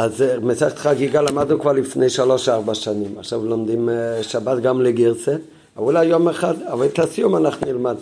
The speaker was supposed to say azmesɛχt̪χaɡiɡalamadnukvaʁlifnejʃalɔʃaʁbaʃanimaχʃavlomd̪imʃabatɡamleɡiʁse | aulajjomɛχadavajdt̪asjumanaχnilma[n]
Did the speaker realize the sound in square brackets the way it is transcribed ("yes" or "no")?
no